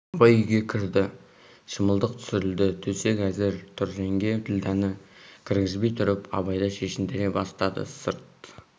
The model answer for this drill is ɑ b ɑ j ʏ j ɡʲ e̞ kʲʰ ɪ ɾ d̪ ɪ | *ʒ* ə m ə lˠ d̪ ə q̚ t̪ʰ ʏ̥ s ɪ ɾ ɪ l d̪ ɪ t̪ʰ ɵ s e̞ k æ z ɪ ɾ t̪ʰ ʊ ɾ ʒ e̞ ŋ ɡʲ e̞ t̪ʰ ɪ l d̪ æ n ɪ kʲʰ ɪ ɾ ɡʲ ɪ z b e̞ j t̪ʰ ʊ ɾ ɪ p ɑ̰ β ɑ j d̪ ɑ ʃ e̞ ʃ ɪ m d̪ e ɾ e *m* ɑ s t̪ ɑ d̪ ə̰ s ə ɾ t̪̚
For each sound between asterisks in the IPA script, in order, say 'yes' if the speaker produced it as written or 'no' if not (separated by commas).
no, no